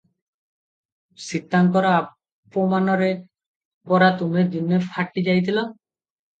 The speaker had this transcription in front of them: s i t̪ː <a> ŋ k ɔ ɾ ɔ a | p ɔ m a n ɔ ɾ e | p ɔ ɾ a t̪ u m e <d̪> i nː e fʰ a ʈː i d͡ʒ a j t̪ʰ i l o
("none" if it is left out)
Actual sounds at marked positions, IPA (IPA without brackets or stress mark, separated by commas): a, d̪